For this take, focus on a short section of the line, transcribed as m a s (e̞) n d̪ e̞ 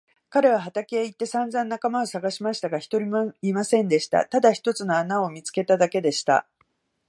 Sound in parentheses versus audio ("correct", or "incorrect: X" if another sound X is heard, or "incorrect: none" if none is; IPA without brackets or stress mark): incorrect: ẽ̞